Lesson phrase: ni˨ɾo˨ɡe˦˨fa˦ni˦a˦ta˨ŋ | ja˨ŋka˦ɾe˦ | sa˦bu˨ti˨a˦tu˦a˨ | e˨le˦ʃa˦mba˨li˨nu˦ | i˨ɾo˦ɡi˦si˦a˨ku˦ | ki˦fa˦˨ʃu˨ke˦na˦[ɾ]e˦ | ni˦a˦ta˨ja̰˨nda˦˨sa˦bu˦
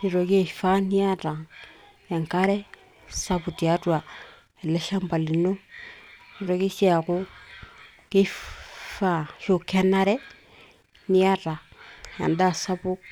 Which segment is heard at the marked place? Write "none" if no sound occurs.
ɾ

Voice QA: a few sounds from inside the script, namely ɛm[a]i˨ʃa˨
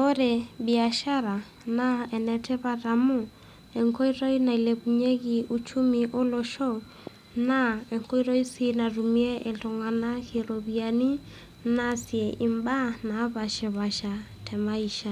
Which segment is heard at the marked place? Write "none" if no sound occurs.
a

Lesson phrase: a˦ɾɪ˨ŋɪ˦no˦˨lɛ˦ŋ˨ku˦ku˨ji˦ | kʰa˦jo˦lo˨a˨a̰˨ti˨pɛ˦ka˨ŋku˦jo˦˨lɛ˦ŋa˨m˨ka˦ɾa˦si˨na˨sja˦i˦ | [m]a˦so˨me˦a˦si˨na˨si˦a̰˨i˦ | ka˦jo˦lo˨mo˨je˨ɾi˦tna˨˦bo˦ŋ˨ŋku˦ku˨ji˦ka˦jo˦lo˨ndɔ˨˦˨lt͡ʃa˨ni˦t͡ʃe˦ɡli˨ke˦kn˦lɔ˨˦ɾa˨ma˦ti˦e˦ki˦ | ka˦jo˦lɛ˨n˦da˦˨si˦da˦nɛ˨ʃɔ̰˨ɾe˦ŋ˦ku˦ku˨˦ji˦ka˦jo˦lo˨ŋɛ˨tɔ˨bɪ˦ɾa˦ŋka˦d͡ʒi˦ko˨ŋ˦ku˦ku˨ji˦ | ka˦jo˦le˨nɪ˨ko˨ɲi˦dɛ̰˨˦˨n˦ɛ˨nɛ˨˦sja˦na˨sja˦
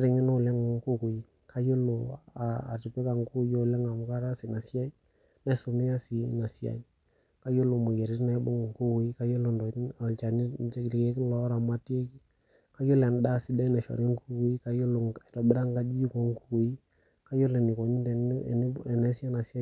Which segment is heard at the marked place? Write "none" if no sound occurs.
n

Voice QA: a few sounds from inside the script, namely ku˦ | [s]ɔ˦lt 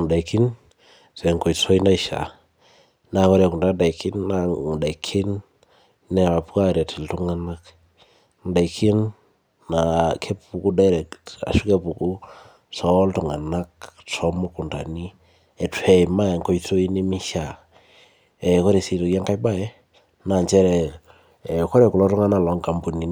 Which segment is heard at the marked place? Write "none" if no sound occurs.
s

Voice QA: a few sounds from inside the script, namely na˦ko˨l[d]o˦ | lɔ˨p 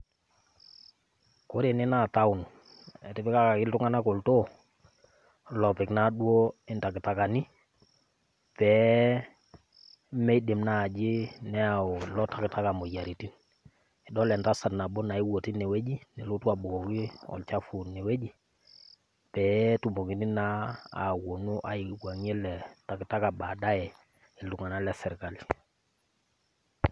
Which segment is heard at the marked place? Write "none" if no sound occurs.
t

